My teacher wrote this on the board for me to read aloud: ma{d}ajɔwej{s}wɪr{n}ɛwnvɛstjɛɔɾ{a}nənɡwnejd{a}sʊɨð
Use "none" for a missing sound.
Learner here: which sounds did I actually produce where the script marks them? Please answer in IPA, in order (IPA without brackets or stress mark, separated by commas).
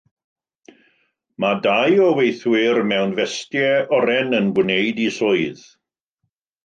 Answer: d, θ, m, ɛ, i